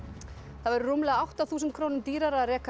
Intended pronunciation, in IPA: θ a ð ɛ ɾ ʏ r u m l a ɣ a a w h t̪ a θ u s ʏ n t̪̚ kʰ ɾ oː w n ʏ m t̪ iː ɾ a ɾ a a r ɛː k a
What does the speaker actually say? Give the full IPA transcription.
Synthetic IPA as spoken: θ a v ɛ ɾ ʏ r u m l ɛ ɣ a a w h t̪ a θ uː s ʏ n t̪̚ kʰ ɾ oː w n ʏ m t̪ iː ɾ a ɾ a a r ɛː k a